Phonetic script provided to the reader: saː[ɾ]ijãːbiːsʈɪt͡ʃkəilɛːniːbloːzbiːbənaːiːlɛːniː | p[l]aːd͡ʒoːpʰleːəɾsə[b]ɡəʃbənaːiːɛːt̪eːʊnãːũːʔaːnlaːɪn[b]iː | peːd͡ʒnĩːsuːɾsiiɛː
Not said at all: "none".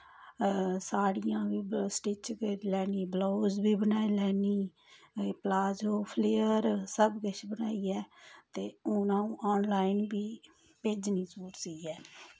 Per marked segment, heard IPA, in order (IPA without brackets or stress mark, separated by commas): ɽ, l, b, b